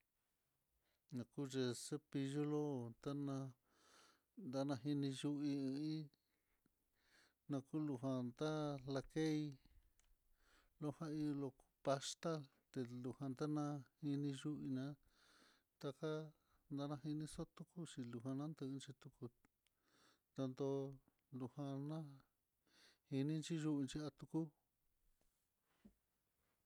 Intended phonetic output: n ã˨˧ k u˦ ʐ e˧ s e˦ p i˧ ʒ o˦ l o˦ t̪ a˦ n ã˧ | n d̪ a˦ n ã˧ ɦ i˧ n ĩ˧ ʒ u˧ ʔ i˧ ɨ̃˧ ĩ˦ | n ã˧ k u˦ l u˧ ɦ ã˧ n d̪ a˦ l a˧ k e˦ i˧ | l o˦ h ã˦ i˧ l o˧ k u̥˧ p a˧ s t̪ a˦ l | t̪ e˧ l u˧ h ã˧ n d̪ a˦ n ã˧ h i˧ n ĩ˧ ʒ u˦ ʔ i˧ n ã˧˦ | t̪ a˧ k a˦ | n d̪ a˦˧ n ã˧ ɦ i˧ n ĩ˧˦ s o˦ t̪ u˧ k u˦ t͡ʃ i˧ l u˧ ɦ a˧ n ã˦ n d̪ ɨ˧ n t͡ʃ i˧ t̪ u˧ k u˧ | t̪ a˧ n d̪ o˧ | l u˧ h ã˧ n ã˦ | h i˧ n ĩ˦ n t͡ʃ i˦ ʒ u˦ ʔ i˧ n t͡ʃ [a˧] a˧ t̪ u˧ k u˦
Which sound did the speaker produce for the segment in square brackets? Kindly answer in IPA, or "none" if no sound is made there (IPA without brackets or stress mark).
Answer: i˧